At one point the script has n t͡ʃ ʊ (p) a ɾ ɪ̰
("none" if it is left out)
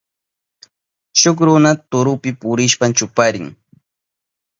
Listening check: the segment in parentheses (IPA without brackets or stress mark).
p